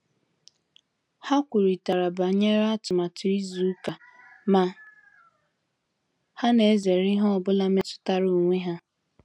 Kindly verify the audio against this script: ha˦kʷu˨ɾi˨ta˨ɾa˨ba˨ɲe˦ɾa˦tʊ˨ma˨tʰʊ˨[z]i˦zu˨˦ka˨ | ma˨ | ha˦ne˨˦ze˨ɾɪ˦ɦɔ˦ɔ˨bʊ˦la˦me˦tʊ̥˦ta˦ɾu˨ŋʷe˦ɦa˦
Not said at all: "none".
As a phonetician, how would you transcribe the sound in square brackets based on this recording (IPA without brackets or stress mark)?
none